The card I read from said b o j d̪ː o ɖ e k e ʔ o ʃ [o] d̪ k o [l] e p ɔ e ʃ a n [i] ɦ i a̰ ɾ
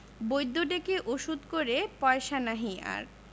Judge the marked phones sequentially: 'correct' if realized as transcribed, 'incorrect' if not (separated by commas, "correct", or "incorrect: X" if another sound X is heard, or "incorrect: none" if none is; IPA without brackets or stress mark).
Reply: incorrect: u, incorrect: ɾ, incorrect: a